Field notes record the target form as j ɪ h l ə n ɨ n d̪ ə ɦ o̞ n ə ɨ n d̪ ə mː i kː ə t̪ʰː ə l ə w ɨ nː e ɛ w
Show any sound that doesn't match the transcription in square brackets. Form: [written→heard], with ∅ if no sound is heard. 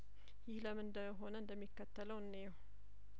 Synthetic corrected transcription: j ɪ h l ə [n→m] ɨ n d̪ ə ɦ o̞ n ə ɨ n d̪ ə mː i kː ə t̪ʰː ə l ə w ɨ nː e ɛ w